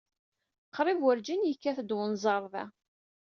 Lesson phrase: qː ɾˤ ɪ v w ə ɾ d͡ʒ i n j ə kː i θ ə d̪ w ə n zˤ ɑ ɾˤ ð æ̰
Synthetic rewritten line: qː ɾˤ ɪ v w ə ɾ d͡ʒ i n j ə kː æ θ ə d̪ w ə n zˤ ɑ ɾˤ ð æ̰